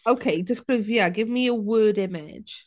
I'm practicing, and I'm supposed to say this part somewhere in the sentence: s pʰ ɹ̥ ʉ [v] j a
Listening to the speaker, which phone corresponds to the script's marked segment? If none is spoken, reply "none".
v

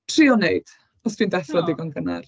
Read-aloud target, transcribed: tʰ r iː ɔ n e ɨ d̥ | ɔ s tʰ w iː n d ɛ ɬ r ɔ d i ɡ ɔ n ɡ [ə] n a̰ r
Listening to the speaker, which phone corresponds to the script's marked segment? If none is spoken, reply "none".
ə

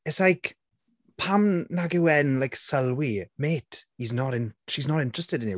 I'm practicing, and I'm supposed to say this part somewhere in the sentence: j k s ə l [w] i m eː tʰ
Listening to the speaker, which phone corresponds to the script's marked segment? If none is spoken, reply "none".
w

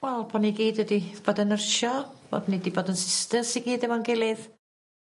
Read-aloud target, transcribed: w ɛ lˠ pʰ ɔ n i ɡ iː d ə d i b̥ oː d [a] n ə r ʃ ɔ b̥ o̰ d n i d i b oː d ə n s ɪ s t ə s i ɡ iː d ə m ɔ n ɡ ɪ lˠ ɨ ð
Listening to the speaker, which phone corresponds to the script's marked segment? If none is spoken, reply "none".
ə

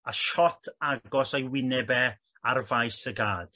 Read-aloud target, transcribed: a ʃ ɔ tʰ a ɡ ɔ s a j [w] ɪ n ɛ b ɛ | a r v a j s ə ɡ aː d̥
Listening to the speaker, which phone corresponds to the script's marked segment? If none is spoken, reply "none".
w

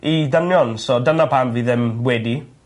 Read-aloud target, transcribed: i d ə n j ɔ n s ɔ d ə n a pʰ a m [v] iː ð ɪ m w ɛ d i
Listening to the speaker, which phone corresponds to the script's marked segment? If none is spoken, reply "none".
v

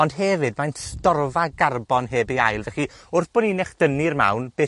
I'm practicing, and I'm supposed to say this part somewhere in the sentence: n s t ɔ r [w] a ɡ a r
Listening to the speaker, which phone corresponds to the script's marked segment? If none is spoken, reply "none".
v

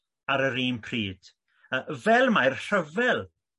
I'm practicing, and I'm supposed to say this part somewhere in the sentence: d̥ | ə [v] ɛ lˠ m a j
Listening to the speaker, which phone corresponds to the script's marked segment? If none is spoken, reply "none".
v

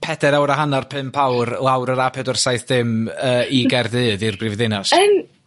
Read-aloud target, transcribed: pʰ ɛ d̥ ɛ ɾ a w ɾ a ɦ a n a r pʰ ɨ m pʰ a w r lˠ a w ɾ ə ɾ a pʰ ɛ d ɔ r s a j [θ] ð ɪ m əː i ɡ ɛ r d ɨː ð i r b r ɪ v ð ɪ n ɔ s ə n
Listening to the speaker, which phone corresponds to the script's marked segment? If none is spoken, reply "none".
θ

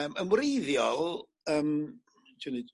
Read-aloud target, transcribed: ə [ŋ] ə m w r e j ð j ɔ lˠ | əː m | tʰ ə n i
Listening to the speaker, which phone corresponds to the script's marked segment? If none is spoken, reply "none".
m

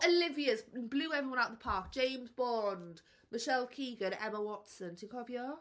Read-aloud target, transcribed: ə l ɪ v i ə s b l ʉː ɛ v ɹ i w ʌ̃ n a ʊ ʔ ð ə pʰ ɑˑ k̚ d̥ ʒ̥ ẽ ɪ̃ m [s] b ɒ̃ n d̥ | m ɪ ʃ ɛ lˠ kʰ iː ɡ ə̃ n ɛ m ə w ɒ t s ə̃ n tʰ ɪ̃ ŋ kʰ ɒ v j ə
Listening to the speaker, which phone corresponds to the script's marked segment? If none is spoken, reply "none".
z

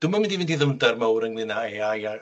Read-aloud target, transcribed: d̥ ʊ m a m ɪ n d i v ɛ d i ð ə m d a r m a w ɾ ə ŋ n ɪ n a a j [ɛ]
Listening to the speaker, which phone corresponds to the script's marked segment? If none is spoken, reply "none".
a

